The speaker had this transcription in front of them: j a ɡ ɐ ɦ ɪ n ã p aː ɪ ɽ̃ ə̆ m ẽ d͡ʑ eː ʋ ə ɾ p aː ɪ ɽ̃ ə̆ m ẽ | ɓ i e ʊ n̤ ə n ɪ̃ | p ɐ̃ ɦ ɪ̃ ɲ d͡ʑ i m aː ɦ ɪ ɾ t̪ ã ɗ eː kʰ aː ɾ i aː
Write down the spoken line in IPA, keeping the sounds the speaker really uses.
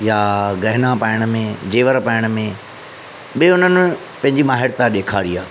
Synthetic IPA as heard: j a ɡ ɐ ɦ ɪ n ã p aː ɪ ɽ̃ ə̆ m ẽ d͡ʑ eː ʋ ə ɾ p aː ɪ ɽ̃ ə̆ m ẽ | ɓ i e ʊ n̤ ə n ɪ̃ | p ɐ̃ ɦ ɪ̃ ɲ d͡ʑ i m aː ɦ ɪ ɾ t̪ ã ɗ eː kʰ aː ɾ i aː